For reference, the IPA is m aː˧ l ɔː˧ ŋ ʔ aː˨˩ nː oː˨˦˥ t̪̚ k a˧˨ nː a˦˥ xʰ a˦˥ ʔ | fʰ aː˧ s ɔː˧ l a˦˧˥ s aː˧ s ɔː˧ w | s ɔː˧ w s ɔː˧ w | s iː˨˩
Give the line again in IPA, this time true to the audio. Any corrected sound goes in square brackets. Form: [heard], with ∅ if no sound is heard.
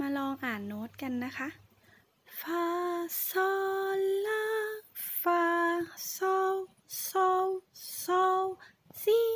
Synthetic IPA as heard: m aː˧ l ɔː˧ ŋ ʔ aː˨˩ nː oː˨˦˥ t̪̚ k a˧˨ nː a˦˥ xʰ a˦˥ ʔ | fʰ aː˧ s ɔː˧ l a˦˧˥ [f] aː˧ s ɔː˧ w | s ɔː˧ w s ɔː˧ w | s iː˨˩